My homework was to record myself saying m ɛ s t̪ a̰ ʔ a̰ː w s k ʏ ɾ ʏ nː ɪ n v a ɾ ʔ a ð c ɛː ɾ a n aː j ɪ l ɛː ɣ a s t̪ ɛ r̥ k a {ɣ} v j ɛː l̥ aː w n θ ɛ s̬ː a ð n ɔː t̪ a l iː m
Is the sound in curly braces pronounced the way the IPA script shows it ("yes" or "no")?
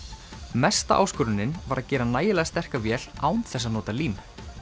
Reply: no